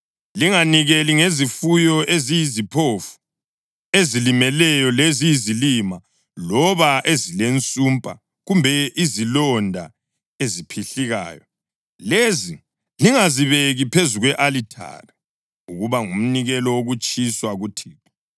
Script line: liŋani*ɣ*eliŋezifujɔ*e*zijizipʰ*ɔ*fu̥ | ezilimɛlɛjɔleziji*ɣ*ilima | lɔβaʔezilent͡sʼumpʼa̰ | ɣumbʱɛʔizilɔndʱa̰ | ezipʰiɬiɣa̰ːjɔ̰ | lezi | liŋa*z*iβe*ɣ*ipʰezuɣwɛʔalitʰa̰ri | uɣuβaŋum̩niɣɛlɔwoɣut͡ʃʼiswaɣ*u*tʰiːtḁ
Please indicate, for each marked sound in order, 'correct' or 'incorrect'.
correct, correct, incorrect: o, incorrect: z, correct, correct, correct

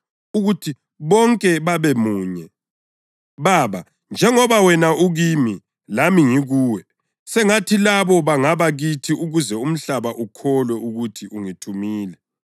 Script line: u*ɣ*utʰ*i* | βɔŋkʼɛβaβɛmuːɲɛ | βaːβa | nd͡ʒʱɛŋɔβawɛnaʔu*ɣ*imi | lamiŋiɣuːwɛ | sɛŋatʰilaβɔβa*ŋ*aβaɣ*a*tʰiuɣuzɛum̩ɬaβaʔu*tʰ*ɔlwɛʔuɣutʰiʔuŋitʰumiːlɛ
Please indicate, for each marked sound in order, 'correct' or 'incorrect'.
correct, correct, correct, correct, incorrect: i, incorrect: kʰ

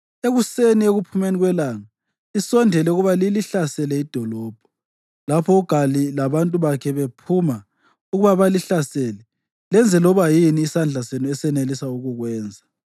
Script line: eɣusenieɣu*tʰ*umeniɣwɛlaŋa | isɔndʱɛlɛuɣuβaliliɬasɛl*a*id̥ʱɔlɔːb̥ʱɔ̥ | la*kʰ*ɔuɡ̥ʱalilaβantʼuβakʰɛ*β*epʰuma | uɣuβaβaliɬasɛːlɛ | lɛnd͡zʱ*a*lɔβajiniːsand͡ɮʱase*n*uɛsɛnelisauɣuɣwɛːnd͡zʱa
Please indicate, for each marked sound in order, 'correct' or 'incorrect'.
incorrect: pʰ, incorrect: ɛ, incorrect: pʰ, correct, incorrect: ɛ, correct

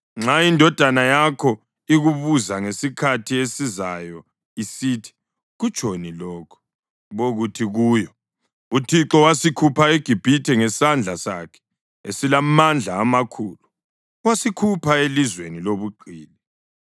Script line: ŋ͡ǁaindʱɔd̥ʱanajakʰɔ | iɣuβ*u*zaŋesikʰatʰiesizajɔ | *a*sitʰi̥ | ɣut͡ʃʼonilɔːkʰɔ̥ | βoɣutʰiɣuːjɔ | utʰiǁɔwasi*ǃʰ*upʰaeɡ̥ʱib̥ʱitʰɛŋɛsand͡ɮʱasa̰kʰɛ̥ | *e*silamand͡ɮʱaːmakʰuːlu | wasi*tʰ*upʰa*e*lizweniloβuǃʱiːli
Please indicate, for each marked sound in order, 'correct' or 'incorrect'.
correct, incorrect: i, incorrect: kʰ, correct, incorrect: kʰ, correct

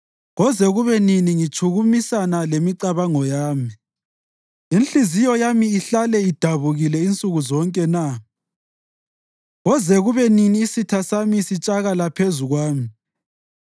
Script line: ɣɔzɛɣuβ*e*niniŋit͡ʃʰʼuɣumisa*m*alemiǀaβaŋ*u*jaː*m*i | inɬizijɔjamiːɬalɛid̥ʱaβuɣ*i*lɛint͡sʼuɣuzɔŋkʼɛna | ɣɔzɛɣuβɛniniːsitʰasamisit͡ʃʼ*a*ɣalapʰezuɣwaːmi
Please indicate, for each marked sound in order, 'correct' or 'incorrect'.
incorrect: ɛ, incorrect: n, incorrect: ɔ, correct, correct, correct

